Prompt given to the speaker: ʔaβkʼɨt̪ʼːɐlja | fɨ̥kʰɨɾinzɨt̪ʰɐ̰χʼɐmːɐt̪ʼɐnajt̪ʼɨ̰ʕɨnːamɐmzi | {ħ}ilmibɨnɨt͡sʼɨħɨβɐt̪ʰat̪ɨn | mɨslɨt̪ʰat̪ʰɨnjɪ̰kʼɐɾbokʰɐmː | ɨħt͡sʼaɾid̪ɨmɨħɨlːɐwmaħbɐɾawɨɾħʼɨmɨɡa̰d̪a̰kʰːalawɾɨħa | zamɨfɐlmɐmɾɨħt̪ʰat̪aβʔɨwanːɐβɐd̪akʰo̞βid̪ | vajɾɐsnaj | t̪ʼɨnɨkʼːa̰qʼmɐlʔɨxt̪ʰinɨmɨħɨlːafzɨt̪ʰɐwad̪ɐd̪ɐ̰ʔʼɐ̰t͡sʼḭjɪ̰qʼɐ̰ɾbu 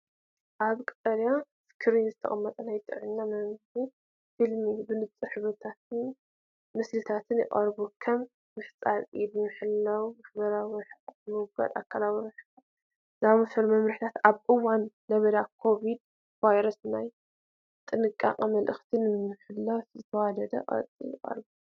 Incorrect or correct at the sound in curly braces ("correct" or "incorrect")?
incorrect